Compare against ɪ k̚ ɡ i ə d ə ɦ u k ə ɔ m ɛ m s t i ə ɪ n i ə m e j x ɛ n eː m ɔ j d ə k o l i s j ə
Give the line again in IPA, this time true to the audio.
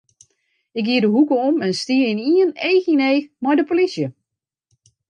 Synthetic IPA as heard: ɪ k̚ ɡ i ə d ə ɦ u k ə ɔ m ɛ n s t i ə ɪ n i ə n e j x i n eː m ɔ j d ə p o l i s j ə